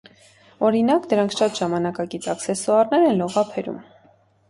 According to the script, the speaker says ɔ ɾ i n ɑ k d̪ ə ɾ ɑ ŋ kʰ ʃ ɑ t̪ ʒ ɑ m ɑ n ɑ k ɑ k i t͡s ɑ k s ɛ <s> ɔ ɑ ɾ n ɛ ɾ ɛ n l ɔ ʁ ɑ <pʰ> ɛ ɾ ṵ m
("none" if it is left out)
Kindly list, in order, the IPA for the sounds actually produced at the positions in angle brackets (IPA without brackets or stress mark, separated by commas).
s, pʰ